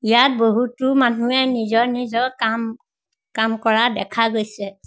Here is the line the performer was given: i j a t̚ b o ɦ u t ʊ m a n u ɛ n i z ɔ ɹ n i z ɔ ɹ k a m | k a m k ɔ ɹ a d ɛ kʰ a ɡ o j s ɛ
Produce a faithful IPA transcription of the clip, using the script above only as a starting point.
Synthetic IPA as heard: i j a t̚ b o ɦ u t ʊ m a n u ɛ n i z ɔ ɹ n i z ɔ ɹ k a m | k a m k ɔ ɹ a d ɛ kʰ a ɡ o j s ɛ